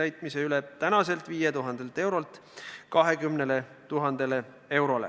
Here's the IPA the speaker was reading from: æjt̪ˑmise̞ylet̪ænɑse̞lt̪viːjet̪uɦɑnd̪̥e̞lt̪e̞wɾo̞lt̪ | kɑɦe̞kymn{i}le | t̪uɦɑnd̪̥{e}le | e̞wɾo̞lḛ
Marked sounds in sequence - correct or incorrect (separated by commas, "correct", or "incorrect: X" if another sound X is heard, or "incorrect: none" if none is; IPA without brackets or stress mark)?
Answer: incorrect: e, correct